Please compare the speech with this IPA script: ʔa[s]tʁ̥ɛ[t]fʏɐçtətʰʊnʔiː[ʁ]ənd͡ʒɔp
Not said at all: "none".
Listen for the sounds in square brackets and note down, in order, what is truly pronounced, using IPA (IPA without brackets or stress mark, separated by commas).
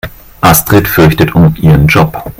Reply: s, t, ʁ